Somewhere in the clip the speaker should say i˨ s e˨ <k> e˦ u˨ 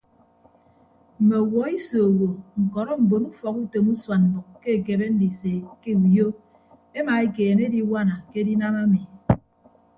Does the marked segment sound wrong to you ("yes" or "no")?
no